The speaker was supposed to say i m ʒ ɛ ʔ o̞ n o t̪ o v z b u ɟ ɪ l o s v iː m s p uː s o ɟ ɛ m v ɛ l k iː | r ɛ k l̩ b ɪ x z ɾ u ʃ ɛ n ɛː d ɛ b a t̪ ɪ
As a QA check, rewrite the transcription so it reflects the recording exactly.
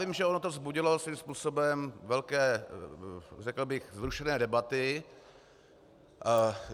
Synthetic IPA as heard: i m ʒ ɛ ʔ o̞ n o t̪ o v z b u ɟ ɪ l o s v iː m s p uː s o b ɛ m v ɛ l k ɛː | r ɛ k l̩ b ɪ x z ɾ u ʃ ɛ n ɛː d ɛ b a t̪ ɪ